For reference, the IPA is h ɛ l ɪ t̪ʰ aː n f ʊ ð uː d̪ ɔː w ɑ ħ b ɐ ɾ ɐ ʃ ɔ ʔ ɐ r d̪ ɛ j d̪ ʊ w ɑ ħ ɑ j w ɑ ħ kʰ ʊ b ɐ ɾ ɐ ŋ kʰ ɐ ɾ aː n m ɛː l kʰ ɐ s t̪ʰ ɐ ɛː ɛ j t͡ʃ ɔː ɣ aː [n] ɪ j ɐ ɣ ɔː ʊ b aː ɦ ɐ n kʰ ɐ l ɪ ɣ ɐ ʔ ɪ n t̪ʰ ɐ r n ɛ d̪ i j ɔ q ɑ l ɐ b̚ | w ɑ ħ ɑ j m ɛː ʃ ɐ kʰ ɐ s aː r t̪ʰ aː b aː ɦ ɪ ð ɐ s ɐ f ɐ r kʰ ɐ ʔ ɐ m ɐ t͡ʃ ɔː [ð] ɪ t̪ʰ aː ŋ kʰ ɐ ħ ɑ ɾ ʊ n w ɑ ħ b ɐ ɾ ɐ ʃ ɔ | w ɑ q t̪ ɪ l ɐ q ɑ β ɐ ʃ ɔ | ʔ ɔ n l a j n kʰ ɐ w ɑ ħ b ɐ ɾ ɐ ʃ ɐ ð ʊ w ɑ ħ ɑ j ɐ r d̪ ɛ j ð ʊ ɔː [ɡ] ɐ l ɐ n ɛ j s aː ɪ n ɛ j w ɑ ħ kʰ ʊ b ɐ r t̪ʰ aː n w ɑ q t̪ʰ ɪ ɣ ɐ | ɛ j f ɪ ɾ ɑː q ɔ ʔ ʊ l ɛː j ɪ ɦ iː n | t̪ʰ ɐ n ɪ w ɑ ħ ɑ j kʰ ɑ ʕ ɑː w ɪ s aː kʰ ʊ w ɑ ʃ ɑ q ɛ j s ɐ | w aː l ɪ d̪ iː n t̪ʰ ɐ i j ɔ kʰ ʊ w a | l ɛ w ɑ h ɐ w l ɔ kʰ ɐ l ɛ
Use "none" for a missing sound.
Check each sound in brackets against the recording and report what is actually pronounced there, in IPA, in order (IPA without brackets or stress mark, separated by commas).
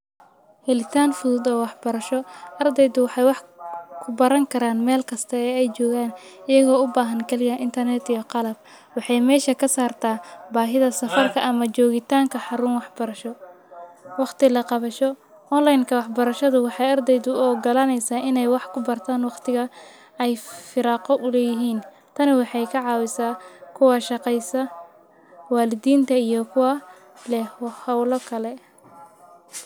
n, ɣ, ɡ